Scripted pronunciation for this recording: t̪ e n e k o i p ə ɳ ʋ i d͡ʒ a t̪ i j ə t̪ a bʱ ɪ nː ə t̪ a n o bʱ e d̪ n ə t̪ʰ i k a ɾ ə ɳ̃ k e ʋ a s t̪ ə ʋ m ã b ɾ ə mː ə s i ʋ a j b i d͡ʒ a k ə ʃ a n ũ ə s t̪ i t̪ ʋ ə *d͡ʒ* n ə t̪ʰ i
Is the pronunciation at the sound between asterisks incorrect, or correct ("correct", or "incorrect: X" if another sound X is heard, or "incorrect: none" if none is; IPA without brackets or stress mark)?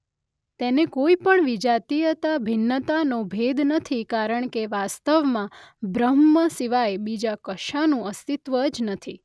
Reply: correct